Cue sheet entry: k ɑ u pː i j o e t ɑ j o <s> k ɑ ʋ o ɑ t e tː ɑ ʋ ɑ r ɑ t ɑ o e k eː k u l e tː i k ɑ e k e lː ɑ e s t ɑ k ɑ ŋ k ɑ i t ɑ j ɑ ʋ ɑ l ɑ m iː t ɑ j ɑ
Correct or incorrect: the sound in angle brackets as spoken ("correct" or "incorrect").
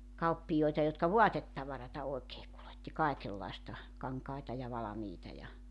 incorrect